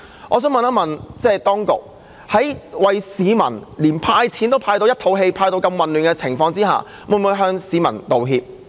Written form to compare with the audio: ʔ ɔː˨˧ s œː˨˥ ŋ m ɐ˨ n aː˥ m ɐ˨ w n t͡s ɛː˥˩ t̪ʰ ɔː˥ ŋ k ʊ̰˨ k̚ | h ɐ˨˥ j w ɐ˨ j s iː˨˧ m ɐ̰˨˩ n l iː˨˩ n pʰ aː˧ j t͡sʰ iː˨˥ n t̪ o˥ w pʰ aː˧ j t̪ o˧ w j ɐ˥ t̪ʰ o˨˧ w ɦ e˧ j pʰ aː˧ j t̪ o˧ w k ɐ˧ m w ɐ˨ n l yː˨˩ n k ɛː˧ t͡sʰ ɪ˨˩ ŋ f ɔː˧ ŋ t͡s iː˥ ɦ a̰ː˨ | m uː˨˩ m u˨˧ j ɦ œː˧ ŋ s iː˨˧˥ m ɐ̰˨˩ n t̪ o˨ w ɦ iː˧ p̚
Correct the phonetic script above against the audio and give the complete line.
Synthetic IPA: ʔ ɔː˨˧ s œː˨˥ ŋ m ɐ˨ n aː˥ m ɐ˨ n t͡s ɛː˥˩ t̪ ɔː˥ ŋ k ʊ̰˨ k̚ | h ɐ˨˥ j w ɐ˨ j s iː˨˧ m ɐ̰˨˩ n l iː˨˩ n pʰ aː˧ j t͡sʰ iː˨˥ n t̪ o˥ w pʰ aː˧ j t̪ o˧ w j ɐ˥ t̪ʰ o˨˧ w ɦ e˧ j pʰ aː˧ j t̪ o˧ w k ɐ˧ m w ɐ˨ n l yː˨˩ n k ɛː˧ t͡sʰ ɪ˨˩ ŋ f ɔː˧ ŋ t͡s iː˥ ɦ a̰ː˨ | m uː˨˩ m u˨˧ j ɦ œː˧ ŋ s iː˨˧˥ m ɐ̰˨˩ n t̪ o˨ w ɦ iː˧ p̚

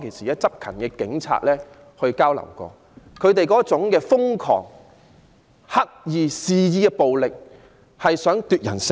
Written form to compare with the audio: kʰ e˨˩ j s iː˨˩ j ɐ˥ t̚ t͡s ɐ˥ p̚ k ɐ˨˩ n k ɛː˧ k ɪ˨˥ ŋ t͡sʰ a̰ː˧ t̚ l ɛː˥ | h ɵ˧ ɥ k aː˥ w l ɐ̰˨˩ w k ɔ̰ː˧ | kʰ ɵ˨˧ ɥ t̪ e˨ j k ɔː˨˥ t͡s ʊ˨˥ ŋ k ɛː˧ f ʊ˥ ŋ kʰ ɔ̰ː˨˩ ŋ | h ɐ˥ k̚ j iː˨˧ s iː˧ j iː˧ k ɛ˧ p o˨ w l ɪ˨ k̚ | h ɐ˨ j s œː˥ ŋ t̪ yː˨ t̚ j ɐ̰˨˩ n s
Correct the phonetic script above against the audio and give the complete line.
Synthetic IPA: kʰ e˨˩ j s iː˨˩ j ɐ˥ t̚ t͡s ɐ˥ p̚ kʰ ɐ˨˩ n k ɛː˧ k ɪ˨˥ ŋ t͡sʰ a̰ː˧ t̚ l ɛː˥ | h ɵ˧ ɥ k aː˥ w l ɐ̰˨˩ w k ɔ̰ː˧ | kʰ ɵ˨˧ ɥ t̪ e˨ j k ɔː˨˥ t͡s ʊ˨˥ ŋ k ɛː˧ f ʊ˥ ŋ kʰ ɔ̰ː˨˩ ŋ | h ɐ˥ k̚ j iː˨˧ s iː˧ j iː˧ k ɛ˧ p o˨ w l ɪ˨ k̚ | h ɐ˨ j s œː˨˥ ŋ t̪ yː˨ t̚ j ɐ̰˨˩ n s

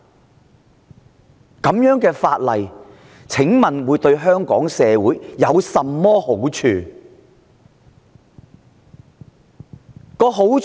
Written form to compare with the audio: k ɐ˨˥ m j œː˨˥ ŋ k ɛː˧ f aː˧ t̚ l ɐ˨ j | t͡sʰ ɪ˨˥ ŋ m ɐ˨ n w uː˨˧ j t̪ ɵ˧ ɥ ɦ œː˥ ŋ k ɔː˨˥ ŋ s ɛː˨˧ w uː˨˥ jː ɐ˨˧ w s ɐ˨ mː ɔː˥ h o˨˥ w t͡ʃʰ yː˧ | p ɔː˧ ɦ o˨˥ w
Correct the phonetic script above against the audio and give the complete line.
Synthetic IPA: k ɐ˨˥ m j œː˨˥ ŋ k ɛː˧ f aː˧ t̚ l ɐ˨ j | t͡sʰ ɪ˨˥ ŋ m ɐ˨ n w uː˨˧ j t̪ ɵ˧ ɥ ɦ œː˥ ŋ k ɔː˨˥ ŋ s ɛː˨˧ w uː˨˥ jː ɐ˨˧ w s ɐ˨ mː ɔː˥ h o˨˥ w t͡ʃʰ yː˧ | k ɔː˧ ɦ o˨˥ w

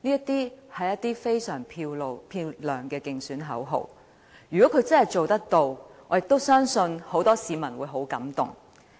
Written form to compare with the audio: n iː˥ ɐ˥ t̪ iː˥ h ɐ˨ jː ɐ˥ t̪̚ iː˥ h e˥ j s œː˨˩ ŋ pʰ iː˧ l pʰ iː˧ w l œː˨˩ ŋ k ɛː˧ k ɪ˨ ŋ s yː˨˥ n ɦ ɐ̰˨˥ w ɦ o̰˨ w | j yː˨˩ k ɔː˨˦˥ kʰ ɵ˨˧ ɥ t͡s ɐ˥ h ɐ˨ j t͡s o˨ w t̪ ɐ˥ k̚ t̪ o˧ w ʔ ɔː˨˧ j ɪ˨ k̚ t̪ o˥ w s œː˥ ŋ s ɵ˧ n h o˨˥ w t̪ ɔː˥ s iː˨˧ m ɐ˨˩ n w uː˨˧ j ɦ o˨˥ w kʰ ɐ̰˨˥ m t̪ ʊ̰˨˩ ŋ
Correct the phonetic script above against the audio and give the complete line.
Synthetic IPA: n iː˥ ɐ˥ t̪ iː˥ h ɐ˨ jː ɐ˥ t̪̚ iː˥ f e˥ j s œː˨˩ ŋ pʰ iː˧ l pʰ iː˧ w l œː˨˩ ŋ k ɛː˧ k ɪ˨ ŋ s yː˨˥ n ɦ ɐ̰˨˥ w ɦ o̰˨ w | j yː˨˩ k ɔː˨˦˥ kʰ ɵ˨˧ ɥ t͡s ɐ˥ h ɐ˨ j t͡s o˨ w t̪ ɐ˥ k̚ t̪ o˧ w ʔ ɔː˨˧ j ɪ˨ k̚ t̪ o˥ w s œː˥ ŋ s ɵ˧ n h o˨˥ w t̪ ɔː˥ s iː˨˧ m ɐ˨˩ n w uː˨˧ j ɦ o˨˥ w k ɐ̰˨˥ m t̪ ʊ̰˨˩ ŋ

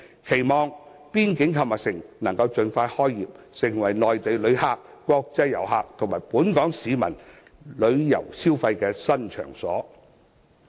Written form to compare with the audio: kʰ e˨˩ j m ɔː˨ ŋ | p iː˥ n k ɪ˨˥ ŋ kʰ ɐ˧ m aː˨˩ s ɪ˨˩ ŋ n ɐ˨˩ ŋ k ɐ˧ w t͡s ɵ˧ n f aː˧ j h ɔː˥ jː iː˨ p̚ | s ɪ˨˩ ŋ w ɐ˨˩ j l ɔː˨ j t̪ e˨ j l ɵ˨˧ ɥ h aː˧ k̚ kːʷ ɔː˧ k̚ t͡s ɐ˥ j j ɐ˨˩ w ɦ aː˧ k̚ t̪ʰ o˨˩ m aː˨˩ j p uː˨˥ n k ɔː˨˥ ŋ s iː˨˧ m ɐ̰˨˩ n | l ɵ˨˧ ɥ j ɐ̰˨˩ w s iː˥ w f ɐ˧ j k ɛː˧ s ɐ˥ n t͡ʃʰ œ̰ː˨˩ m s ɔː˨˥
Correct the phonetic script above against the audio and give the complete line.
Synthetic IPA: kʰ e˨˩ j m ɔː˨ ŋ | p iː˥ n k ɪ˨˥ ŋ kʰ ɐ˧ m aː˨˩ s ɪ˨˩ ŋ n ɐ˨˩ ŋ k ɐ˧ w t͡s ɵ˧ n f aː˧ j h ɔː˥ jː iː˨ p̚ | s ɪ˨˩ ŋ w ɐ˨˩ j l ɔː˨ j t̪ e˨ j l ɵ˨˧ ɥ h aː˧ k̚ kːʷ ɔː˧ k̚ t͡s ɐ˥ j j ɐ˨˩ w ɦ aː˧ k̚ t̪ʰ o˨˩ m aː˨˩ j p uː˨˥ n k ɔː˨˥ ŋ s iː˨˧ m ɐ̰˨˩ n | l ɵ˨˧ ɥ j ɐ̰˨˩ w s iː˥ w f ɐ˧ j k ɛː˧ s ɐ˥ n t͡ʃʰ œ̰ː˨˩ ŋ s ɔː˨˥

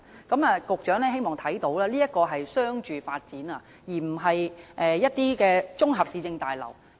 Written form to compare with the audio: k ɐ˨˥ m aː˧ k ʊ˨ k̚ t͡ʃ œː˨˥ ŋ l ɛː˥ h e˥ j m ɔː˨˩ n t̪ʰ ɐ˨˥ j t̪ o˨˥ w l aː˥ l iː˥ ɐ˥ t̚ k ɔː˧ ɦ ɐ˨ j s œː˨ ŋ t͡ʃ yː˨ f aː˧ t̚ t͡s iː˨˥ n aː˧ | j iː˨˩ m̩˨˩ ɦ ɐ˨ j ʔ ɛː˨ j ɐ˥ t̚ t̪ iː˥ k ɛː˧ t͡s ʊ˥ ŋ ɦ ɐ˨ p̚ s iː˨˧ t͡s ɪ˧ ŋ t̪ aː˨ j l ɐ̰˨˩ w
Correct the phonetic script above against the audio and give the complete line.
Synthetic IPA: k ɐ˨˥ m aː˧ k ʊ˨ k̚ t͡ʃ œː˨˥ ŋ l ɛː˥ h e˥ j m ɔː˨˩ ŋ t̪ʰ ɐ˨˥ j t̪ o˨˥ w l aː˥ l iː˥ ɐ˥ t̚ k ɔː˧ ɦ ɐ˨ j s œː˥ ŋ t͡ʃ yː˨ f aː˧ t̚ t͡s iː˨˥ n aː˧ | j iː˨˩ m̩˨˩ ɦ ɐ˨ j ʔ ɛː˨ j ɐ˥ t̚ t̪ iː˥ k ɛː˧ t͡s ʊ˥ ŋ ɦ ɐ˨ p̚ s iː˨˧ t͡s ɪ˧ ŋ t̪ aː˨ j l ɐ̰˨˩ w

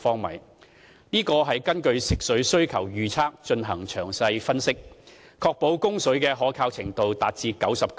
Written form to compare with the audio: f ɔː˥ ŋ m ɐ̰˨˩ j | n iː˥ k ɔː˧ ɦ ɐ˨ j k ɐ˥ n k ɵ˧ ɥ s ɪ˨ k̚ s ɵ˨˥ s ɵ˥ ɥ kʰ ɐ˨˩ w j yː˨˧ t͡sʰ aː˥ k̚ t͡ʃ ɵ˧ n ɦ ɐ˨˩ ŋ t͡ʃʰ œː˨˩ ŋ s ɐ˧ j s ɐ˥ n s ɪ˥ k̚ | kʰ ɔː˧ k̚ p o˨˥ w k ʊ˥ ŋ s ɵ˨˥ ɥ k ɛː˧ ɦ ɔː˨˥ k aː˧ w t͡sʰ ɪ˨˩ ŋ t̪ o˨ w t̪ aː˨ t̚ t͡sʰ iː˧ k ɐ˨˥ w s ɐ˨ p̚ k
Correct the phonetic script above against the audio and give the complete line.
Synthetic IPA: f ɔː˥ ŋ m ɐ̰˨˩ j | n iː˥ k ɔː˧ ɦ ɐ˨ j k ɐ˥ n k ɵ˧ ɥ s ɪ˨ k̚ s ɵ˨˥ s ɵ˥ ɥ kʰ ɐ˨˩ w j yː˨˧ t͡sʰ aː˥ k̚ t͡ʃ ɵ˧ n ɦ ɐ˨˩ ŋ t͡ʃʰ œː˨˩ ŋ s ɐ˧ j f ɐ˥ n s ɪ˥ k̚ | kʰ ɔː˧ k̚ p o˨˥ w k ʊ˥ ŋ s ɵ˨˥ ɥ k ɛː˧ ɦ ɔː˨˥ kʰ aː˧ w t͡sʰ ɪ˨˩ ŋ t̪ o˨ w t̪ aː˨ t̚ t͡s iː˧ k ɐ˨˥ w s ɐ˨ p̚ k

